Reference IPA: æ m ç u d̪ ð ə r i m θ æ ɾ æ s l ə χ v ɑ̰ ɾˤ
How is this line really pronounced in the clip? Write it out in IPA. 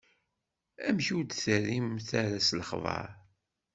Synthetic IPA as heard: æ m ç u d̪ θ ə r i m θ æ ɾ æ s l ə χ v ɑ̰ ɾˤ